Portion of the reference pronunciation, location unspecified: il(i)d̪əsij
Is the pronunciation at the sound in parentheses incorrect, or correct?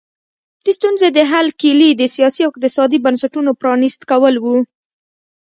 correct